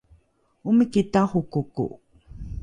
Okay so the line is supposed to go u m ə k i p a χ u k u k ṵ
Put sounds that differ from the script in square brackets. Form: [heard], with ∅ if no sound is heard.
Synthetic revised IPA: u m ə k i [t] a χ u k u k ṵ